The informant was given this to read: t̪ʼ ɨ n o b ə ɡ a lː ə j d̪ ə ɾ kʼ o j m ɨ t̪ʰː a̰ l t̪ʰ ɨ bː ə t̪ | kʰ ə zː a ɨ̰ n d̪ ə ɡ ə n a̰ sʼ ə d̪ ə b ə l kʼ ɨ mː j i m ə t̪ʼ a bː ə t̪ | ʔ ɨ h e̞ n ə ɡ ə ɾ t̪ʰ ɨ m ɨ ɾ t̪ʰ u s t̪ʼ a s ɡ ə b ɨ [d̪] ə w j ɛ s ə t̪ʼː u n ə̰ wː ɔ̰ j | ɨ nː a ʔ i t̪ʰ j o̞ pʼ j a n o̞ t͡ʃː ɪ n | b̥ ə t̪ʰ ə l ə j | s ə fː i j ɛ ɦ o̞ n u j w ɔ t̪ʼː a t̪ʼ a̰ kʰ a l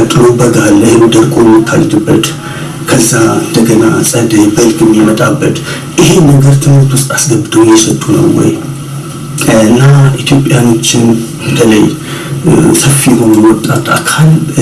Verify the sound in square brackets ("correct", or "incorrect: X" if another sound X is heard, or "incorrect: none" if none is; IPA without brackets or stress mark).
correct